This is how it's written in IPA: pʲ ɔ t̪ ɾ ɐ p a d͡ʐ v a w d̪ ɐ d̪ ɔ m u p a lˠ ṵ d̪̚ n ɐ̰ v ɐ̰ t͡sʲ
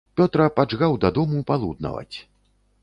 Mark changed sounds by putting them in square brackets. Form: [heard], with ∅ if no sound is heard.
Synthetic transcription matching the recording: pʲ ɔ t̪ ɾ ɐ p a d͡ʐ [ɣ] a w d̪ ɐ d̪ ɔ m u p a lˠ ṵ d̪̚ n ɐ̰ v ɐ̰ t͡sʲ